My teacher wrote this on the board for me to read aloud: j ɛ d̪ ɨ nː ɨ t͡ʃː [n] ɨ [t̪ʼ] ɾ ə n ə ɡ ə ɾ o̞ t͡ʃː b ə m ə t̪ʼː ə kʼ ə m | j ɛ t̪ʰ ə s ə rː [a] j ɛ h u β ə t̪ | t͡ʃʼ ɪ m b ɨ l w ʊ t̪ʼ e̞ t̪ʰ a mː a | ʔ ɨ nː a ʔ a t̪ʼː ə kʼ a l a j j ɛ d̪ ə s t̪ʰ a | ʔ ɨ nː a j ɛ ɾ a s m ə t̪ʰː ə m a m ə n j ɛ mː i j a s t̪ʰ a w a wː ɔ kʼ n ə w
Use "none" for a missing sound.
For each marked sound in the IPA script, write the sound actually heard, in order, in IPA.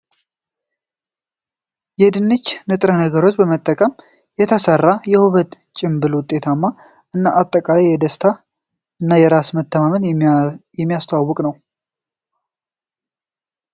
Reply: n, t̪ʼ, a

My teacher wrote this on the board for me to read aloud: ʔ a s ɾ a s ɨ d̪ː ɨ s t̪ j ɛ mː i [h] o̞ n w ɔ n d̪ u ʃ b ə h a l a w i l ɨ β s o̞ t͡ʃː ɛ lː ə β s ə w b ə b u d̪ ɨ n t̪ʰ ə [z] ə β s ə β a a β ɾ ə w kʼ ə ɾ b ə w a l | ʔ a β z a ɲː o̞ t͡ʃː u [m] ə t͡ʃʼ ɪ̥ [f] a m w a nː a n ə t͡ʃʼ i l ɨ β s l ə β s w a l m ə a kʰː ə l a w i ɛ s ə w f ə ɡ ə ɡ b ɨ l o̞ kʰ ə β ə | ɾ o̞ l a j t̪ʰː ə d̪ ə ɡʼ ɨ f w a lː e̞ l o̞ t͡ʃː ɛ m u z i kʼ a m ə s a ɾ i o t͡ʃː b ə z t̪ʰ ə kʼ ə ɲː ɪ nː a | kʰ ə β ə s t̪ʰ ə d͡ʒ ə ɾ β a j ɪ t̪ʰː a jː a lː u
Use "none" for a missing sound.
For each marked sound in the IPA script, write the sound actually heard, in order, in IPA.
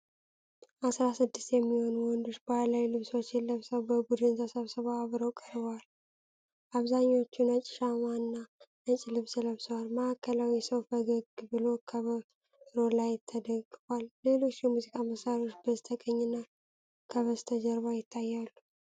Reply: h, s, n, ʃ

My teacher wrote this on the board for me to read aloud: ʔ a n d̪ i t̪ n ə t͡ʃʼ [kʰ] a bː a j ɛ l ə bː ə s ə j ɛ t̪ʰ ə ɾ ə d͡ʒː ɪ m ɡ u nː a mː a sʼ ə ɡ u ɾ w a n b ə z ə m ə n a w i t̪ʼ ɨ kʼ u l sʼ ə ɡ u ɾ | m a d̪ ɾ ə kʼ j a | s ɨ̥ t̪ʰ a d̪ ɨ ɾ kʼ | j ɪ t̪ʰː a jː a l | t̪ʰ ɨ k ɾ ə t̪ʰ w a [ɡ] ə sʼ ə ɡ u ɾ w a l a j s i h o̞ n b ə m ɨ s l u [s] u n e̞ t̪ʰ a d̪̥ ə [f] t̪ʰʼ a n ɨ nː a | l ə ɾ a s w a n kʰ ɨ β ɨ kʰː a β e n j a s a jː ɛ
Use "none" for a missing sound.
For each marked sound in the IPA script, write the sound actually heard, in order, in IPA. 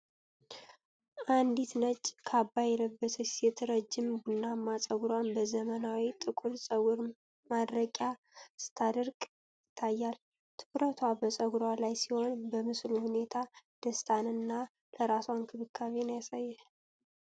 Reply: kʰ, b, h, s

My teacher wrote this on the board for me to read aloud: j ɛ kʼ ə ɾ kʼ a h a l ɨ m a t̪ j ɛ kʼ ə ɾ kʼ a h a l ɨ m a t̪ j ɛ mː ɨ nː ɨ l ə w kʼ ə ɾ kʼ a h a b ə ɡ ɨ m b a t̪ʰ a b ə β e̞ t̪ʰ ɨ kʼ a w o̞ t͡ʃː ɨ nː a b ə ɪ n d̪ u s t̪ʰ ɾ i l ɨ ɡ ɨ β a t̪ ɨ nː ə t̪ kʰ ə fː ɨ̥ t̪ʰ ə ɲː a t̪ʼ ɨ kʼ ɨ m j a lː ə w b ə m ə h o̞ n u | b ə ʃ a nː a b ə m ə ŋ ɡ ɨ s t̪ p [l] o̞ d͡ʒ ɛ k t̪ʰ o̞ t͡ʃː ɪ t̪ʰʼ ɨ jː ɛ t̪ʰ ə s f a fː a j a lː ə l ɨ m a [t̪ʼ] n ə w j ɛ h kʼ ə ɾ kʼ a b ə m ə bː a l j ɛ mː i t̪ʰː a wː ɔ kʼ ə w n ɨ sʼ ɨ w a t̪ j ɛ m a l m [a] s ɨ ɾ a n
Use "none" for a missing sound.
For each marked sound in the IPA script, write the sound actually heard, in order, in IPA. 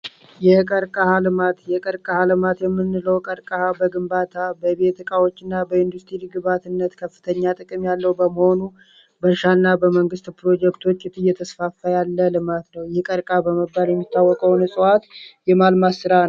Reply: ɾ, t̪, a

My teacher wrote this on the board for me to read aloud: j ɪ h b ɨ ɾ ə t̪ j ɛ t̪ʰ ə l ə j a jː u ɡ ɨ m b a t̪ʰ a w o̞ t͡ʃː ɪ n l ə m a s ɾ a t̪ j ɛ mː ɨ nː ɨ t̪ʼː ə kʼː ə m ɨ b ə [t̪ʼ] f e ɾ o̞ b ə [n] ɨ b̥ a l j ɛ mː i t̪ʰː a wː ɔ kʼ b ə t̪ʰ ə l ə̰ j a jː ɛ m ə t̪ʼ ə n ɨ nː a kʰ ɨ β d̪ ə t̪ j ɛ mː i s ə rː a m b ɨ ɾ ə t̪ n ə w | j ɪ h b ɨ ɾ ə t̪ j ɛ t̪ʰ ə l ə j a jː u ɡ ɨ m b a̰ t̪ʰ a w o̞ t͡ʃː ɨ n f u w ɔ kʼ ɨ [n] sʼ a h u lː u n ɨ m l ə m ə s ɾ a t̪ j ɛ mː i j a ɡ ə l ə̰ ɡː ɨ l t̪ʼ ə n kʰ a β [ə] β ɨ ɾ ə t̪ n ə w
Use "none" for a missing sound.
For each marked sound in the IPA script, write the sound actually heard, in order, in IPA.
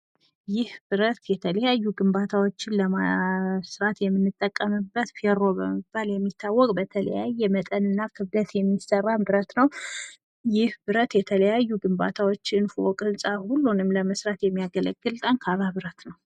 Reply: t̪, m, n, a

